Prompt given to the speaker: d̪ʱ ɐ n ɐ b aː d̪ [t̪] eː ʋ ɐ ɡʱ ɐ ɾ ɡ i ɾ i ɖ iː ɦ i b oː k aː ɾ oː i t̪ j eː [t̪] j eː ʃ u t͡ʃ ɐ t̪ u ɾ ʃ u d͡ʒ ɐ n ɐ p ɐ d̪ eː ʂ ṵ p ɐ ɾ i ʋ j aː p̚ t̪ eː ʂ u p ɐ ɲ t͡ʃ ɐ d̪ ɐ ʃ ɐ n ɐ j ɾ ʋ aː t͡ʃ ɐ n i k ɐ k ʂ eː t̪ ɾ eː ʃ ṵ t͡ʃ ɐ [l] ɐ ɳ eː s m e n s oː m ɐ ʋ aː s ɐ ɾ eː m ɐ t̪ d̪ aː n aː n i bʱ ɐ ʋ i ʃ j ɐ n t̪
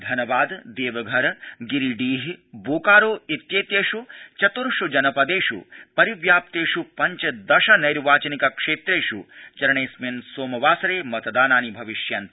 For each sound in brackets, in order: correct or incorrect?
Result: incorrect: d̪, correct, incorrect: ɾ

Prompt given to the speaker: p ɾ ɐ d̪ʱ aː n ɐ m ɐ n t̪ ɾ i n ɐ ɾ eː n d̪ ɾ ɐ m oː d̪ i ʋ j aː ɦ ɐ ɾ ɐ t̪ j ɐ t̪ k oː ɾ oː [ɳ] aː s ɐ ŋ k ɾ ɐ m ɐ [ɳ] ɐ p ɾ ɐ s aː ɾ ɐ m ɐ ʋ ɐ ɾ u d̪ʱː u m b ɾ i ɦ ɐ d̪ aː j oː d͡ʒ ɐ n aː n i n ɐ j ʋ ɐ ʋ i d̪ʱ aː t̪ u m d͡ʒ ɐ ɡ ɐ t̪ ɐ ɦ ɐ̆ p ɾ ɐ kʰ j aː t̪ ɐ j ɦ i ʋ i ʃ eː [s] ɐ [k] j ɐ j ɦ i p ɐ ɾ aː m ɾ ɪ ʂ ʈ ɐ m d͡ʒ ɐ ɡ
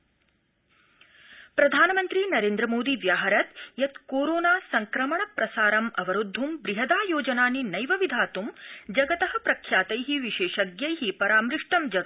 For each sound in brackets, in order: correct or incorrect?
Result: incorrect: n, correct, incorrect: ʃ, incorrect: ɡ

